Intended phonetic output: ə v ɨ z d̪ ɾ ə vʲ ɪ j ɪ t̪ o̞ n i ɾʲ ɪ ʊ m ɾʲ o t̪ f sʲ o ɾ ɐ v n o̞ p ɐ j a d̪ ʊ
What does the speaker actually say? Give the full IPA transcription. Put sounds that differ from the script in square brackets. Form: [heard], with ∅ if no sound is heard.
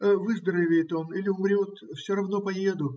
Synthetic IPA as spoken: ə v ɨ z d̪ ɾ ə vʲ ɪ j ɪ t̪ o̞ n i [lʲ] ɪ ʊ m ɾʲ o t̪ f sʲ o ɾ ɐ v n o̞ p ɐ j [e] d̪ ʊ